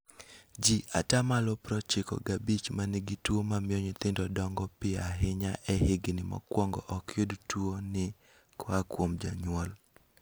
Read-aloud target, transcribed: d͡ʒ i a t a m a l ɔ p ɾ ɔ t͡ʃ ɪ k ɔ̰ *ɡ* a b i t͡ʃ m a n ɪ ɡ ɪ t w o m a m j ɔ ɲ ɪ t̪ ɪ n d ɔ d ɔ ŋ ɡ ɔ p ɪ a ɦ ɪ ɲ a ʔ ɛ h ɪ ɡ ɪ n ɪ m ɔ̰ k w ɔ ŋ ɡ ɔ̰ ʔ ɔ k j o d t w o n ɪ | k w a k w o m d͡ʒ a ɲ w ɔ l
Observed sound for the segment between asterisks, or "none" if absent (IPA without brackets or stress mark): ɡ